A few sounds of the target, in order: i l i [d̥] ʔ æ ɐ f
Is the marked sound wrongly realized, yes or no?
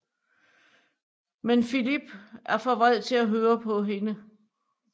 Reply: yes